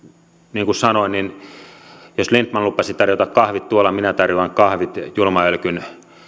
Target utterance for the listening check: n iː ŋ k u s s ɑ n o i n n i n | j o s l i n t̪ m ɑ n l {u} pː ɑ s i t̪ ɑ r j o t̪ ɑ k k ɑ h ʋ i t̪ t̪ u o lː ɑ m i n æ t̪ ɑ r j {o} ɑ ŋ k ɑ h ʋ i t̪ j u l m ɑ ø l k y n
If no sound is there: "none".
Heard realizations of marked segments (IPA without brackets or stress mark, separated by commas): u, o